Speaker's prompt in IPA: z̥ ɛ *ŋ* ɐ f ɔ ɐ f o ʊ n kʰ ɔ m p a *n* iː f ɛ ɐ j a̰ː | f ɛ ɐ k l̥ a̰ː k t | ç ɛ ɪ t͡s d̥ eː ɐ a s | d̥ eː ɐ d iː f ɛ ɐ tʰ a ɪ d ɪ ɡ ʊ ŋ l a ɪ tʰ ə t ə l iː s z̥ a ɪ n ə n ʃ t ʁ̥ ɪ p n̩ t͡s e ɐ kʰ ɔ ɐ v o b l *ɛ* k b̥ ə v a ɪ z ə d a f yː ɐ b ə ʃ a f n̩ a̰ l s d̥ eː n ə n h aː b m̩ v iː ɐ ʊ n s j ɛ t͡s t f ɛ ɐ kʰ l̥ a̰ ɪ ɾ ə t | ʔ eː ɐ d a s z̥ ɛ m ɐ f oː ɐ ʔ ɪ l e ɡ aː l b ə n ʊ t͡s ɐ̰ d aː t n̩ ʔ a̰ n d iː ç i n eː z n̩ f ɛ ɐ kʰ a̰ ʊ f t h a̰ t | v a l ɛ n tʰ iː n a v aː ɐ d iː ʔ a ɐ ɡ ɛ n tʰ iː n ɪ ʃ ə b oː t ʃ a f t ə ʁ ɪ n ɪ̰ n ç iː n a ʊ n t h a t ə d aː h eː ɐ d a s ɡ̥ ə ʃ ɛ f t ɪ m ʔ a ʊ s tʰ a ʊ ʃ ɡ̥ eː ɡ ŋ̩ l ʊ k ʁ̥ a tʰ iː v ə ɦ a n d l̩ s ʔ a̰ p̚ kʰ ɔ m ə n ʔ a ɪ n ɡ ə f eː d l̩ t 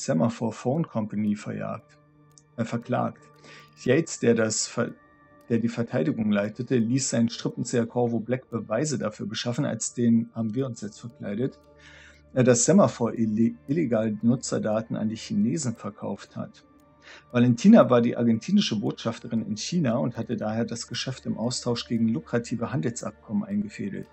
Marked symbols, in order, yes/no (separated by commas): no, yes, yes